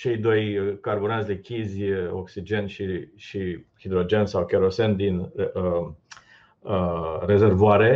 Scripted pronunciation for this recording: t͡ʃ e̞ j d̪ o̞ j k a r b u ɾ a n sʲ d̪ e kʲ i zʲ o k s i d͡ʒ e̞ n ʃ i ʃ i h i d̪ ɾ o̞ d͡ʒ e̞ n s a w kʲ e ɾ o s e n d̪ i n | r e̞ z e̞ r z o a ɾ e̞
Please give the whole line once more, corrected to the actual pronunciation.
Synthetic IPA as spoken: t͡ʃ e̞ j d̪ o̞ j k a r b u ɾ a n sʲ d̪ e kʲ i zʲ o k s i d͡ʒ e̞ n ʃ i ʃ i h i d̪ ɾ o̞ d͡ʒ e̞ n s a w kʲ e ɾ o s e n d̪ i n | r e̞ z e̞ r v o a ɾ e̞